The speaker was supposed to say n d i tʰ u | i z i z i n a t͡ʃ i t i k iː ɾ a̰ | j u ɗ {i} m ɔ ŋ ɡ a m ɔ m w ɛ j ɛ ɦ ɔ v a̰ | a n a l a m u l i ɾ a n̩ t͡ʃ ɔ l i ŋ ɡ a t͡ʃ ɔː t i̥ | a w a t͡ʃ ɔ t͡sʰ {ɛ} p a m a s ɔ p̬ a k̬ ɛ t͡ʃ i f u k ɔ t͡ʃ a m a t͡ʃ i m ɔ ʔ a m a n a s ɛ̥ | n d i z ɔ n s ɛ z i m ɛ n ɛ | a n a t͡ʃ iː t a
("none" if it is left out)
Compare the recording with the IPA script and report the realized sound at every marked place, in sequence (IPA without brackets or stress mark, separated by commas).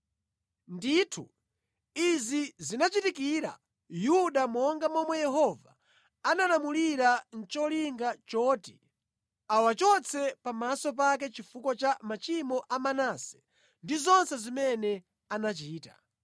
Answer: a, ɛ